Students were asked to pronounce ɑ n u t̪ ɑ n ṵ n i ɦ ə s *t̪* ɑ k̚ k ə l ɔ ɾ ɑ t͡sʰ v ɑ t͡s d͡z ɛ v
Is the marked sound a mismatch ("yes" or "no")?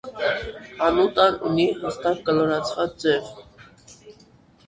no